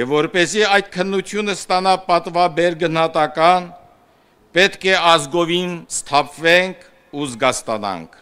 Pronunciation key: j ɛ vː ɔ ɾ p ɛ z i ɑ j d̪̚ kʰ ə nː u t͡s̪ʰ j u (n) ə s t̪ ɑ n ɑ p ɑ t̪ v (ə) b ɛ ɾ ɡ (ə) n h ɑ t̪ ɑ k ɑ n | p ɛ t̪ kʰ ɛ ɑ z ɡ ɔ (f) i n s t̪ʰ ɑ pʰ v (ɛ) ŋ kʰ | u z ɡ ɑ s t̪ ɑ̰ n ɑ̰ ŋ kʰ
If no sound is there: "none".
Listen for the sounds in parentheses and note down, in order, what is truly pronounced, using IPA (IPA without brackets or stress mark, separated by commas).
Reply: n, ɑ, ə, v, ɛ